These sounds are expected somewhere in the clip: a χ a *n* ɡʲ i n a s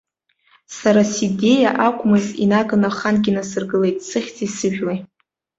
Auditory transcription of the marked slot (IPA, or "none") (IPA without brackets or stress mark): n